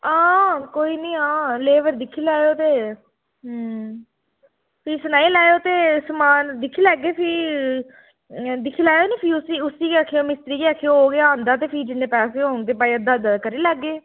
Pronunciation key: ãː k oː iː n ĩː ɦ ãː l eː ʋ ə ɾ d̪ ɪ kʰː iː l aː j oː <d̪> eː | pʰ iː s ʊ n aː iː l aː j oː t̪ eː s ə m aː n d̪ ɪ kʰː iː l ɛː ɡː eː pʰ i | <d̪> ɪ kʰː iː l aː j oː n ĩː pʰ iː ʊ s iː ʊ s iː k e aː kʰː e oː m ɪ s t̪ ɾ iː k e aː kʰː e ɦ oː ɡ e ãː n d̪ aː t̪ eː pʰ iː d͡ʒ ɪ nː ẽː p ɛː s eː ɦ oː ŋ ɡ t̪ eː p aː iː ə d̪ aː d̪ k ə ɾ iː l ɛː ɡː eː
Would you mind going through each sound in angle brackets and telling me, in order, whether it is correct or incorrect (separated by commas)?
incorrect, correct